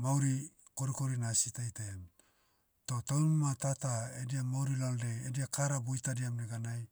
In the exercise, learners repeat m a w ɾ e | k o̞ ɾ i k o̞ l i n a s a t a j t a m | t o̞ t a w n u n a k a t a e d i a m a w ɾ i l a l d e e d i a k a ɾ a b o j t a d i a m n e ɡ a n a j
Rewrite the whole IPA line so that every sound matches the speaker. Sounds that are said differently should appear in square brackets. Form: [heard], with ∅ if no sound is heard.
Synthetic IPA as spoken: m a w ɾ [i] | k o̞ ɾ i k o̞ [ɾ] i n a s [i] t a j t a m | t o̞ t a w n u [m] a [t] a t a e d i a m a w ɾ i l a l d e e d i a k a ɾ a b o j t a d i a m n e ɡ a n a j